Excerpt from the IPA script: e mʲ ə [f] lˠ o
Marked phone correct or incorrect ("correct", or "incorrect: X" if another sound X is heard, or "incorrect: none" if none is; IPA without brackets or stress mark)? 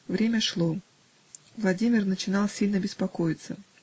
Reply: incorrect: ʂ